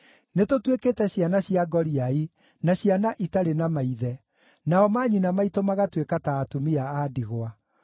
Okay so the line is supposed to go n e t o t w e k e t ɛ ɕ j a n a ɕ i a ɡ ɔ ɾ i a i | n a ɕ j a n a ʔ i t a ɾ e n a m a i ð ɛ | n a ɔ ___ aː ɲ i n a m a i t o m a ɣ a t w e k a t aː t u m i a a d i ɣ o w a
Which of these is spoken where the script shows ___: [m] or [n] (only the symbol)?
m